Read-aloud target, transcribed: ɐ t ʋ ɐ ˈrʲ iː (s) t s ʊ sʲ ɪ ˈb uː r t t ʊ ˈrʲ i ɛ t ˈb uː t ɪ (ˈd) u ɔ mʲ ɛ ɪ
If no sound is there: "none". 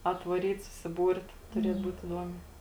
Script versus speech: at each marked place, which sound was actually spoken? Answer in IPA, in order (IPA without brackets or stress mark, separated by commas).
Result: none, d